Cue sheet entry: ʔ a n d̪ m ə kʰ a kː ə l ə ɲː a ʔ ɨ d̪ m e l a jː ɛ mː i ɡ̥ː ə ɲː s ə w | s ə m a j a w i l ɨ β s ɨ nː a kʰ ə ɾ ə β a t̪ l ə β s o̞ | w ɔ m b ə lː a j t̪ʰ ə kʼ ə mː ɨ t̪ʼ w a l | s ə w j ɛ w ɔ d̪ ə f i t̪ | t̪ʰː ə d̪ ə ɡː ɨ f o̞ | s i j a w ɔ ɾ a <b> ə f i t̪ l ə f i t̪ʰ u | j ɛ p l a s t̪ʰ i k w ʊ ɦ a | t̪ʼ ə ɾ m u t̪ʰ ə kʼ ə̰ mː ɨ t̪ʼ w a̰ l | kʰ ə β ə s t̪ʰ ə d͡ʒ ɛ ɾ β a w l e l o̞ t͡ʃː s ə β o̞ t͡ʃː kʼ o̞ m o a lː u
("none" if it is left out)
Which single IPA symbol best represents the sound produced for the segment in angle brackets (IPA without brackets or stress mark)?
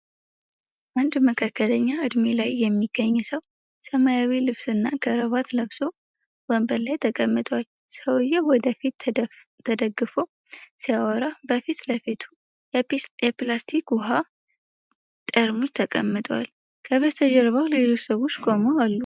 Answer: b